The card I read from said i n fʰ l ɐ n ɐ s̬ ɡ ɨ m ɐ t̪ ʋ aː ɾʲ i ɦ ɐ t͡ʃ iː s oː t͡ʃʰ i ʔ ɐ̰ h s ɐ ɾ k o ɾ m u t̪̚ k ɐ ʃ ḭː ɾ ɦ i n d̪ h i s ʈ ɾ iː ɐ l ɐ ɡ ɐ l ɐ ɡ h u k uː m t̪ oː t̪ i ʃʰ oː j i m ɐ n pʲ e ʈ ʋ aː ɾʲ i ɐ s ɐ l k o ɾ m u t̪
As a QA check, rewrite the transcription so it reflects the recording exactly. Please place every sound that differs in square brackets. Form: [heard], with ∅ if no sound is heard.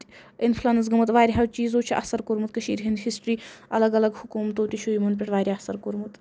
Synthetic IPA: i n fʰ l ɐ n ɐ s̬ ɡ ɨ m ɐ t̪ ʋ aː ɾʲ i ɦ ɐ t͡ʃ iː [z] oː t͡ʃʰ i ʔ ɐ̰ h s ɐ ɾ k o ɾ m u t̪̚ k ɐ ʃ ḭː ɾ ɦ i n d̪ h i s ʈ ɾ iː ɐ l ɐ ɡ ɐ l ɐ ɡ h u k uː m t̪ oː t̪ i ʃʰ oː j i m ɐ n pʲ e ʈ ʋ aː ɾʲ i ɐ s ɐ [ɾ] k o ɾ m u t̪